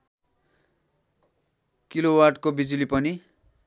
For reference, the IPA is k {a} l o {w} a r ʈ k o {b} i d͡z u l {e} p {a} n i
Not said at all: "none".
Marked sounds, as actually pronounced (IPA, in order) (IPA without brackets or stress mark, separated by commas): i, w, b, i, ʌ